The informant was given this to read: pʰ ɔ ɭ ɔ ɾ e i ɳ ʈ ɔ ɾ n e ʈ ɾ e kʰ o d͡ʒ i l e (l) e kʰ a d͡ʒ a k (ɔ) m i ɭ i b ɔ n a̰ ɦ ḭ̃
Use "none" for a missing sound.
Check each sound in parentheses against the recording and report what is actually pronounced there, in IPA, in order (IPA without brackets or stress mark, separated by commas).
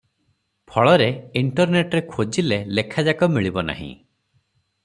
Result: l, ɔ